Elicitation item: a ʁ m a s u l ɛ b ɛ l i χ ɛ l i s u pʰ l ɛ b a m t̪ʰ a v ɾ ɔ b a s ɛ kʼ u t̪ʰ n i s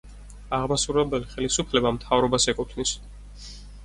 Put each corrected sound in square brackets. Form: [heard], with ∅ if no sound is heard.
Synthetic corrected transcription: a ʁ m a s u [ɾ] ɛ b ɛ l i χ ɛ l i s u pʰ l ɛ b a m t̪ʰ a v ɾ ɔ b a s ɛ kʼ u t̪ʰ n i s